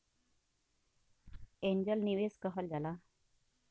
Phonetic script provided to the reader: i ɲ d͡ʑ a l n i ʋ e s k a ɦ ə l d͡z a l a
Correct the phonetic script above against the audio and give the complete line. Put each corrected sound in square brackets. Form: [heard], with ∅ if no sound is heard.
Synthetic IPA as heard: [e] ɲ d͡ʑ [ə] l n i ʋ e s k [ə] ɦ ə l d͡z a l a